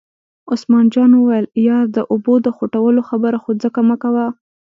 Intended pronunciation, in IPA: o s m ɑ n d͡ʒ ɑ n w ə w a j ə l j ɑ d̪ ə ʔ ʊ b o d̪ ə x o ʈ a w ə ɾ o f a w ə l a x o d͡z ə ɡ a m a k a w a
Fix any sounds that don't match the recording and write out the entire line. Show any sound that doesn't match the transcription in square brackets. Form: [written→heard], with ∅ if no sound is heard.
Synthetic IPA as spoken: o s m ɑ n d͡ʒ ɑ n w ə w a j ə l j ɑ d̪ ə ʔ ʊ b o d̪ ə x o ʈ a w ə [ɾ→l] o [f→x] a [w→b] ə [l→ɾ] a x o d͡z ə [ɡ→k] a m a k a w a

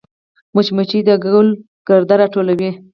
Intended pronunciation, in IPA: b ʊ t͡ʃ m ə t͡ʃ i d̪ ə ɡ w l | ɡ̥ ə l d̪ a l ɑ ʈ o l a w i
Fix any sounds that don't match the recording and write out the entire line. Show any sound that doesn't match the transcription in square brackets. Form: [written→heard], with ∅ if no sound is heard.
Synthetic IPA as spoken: [b→m] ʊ t͡ʃ m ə t͡ʃ i d̪ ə ɡ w l | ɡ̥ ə [l→ɾ] d̪ a [l→ɾ] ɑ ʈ o l a w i

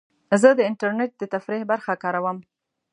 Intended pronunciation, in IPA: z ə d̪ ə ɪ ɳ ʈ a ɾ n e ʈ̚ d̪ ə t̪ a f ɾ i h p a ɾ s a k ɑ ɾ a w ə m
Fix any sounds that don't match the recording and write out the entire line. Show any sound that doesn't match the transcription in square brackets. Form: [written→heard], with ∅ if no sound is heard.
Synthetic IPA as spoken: z ə d̪ ə ɪ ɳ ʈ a ɾ n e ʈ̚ d̪ ə t̪ a f ɾ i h [p→b] a ɾ [s→x] a k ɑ ɾ a w ə m

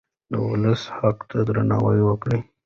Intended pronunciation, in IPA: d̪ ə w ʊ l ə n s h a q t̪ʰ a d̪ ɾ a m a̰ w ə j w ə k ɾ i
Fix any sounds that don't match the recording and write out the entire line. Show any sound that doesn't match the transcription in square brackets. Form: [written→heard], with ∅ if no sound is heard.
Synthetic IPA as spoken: d̪ ə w ʊ l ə [n→∅] s h a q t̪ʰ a d̪ ɾ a [m→n] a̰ w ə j w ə k [ɾ→ɽ] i

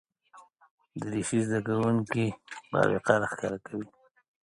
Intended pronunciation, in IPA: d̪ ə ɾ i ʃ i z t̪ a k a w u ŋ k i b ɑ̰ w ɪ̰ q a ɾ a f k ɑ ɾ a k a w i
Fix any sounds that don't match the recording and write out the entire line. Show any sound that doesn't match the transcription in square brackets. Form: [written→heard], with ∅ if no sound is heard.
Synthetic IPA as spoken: d̪ ə ɾ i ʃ i z [t̪→d̪] a k a w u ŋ k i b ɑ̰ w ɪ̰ q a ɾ a [f→x] k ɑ ɾ a k a w i

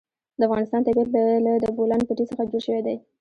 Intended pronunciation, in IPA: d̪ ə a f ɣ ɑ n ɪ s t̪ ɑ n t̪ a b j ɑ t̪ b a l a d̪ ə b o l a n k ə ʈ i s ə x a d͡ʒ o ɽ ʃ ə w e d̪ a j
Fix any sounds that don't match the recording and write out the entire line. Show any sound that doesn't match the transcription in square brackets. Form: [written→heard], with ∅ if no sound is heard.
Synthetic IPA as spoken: d̪ ə a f ɣ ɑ n ɪ s t̪ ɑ n t̪ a b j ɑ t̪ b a l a d̪ ə b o l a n [k→p] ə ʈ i s ə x a d͡ʒ o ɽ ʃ ə w e d̪ a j

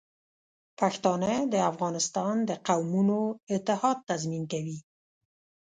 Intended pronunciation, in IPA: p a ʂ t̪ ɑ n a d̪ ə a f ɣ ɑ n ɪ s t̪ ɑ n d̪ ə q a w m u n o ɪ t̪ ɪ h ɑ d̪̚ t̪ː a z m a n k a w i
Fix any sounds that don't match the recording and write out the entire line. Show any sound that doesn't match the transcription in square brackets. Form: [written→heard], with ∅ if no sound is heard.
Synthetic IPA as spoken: p a [ʂ→x] t̪ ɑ n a d̪ ə a f ɣ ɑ n ɪ s t̪ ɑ n d̪ ə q a w m u n o ɪ t̪ ɪ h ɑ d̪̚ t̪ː a z m [a→i] n k a w i

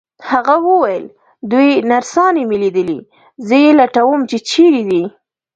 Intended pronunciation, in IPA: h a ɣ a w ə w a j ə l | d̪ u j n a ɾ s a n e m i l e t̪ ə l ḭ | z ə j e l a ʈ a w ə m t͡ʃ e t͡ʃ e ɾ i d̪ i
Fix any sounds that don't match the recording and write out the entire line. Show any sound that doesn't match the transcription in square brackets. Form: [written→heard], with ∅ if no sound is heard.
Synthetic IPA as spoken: h a ɣ a w ə w a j ə l | d̪ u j n a ɾ s [a→ɑ] n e m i l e [t̪→d̪] ə l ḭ | z ə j e l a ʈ a w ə m t͡ʃ e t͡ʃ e ɾ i d̪ i

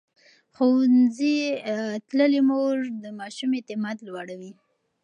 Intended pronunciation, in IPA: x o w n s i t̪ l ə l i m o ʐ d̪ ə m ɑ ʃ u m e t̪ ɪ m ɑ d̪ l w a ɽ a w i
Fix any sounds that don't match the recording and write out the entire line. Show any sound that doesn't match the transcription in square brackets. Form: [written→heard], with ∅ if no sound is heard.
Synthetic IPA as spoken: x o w n [s→z] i t̪ l ə l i m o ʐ d̪ ə m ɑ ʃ u m e t̪ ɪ m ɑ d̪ l w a ɽ a w i

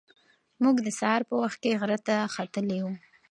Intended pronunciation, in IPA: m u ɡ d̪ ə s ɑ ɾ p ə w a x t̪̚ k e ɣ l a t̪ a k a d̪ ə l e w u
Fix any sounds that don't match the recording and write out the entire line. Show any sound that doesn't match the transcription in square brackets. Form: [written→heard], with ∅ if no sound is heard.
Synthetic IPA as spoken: m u ɡ d̪ ə s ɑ ɾ p ə w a x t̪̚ k e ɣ [l→ɾ] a t̪ a [k→x] a [d̪→t̪] ə l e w u

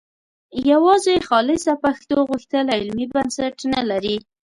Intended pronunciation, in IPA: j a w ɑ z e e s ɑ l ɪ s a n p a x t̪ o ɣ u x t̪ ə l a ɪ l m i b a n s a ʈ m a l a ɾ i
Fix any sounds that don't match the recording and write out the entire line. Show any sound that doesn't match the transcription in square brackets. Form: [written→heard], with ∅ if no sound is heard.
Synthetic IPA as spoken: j a w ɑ z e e [s→x] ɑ l ɪ s a [n→∅] p a x t̪ o ɣ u x t̪ ə l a ɪ l m i b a n s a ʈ [m→n] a l a ɾ i

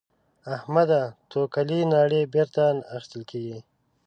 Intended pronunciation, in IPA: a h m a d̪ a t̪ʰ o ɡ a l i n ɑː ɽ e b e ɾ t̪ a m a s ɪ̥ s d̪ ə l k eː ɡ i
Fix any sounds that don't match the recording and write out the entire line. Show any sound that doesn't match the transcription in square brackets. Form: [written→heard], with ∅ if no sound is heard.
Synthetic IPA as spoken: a h m a d̪ a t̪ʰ o [ɡ→k] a l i n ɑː ɽ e b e ɾ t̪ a [m→n] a [s→x] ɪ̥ s [d̪→t̪] ə l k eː ɡ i

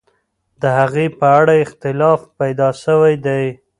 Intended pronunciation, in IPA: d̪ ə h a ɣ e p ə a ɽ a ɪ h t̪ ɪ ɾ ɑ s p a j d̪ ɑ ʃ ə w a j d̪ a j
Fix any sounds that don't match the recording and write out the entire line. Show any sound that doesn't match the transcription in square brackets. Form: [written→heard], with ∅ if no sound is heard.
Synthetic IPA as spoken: d̪ ə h a ɣ e p ə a ɽ a ɪ [h→x] t̪ ɪ [ɾ→l] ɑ [s→f] p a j d̪ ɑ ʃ ə w a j d̪ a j

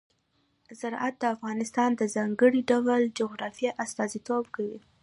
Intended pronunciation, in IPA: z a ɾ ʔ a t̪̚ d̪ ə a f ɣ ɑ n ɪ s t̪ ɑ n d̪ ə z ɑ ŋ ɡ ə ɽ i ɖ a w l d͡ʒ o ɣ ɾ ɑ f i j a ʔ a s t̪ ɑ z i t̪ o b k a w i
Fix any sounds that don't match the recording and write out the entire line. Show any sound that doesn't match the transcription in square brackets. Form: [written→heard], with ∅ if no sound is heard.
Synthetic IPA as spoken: z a ɾ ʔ a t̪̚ d̪ ə a f ɣ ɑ n ɪ s t̪ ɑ n d̪ ə z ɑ ŋ ɡ ə ɽ i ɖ a w l d͡ʒ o ɣ ɾ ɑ f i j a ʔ a s t̪ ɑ z i t̪ o b k a w i

